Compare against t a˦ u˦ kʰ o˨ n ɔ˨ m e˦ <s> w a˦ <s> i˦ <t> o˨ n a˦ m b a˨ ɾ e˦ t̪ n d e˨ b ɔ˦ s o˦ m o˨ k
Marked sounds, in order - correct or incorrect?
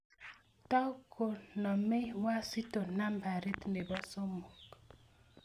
incorrect, correct, correct

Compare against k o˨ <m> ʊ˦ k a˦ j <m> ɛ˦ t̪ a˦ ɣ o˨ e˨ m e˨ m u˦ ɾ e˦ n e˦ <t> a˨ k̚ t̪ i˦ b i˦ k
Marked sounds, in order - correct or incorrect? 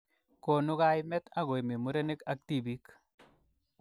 incorrect, correct, incorrect

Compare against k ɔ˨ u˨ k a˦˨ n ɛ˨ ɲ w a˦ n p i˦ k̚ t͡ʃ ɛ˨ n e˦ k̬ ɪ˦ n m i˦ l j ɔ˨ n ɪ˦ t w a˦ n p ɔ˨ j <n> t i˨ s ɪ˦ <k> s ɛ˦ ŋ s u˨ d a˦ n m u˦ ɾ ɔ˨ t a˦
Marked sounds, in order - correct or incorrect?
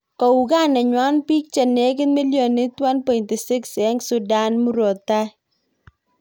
correct, correct

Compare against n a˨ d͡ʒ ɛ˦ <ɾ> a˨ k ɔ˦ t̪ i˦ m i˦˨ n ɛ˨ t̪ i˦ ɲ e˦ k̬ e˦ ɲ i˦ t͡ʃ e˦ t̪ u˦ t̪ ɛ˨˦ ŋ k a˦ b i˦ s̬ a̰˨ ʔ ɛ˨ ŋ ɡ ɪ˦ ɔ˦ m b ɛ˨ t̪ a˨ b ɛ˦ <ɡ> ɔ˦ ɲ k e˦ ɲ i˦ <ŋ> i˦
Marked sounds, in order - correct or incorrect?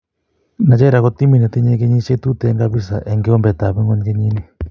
correct, incorrect, incorrect

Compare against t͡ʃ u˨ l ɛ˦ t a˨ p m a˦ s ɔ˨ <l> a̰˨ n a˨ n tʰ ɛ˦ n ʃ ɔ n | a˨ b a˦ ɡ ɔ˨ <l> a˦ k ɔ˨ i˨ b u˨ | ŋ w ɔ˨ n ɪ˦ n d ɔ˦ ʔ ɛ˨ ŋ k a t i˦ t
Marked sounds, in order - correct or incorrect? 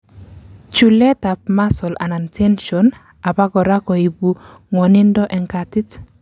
correct, incorrect

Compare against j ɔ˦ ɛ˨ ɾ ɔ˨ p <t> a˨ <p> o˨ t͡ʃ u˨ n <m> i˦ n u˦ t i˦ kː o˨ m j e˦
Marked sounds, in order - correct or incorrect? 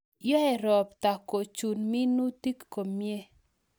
correct, incorrect, correct

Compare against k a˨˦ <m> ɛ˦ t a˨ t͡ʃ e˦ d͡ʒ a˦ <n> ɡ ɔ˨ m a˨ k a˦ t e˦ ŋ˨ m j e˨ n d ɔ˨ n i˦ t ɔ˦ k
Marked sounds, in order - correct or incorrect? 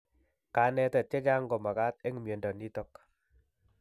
incorrect, incorrect

